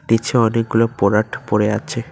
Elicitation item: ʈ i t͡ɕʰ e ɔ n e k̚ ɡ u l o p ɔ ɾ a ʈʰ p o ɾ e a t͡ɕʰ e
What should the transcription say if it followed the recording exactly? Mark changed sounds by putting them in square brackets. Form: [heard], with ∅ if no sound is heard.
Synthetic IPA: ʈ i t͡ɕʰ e ɔ n e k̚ ɡ u l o p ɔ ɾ a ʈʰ p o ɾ e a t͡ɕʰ e

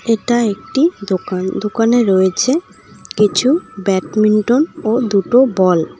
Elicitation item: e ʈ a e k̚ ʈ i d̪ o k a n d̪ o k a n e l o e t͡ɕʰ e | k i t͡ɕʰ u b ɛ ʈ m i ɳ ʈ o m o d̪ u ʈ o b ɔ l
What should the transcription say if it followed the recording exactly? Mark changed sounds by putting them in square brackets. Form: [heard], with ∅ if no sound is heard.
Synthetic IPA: e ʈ a e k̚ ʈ i d̪ o k a n d̪ o k a n e [ɾ] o e t͡ɕʰ e | k i t͡ɕʰ u b ɛ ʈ m i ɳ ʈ o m o d̪ u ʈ o b ɔ l

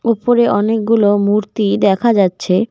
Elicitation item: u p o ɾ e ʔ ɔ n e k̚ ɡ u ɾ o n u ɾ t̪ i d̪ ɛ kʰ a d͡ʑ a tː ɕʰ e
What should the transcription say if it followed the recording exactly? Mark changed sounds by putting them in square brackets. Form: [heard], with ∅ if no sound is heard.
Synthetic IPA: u p o ɾ e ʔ ɔ n e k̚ ɡ u [l] o [m] u ɾ t̪ i d̪ ɛ kʰ a d͡ʑ a tː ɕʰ e

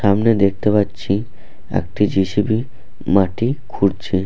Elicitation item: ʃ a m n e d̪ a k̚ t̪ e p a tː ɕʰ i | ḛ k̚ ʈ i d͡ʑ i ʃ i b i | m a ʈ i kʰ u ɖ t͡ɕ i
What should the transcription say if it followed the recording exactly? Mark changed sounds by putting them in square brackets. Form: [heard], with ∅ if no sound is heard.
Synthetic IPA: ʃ a m n e d̪ [e] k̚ t̪ e p a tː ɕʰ i | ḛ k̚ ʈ i d͡ʑ i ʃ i b i | m a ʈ i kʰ u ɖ [t͡ɕʰ] i

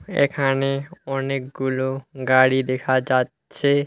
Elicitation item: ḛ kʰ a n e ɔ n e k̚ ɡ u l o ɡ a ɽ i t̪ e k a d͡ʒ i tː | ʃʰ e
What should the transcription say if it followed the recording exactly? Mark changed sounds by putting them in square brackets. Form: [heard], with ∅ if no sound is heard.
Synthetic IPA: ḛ kʰ a n e ɔ n e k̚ ɡ u l o ɡ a ɽ i [d̪] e [kʰ] a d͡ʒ [a] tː | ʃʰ e

